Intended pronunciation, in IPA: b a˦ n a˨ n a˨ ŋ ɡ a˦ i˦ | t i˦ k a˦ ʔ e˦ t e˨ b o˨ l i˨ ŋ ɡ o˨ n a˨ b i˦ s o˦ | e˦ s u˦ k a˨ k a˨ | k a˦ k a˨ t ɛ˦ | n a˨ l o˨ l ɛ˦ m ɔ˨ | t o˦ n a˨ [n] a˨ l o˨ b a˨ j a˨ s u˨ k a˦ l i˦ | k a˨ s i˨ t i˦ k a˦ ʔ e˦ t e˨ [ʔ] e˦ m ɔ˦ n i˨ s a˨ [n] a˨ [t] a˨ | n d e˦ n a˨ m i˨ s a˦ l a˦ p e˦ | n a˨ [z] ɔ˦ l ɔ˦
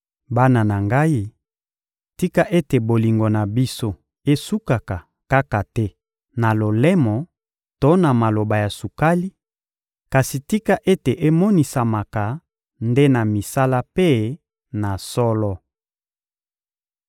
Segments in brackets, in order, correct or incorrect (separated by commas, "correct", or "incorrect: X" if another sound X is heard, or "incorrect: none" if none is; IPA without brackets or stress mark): incorrect: m, correct, incorrect: m, incorrect: k, incorrect: s